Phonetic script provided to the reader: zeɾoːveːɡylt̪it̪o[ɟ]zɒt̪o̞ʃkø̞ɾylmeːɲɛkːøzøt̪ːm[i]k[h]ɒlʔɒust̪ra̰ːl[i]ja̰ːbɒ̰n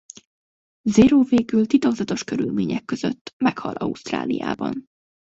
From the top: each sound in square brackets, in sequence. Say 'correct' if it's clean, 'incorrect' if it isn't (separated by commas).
incorrect, incorrect, correct, correct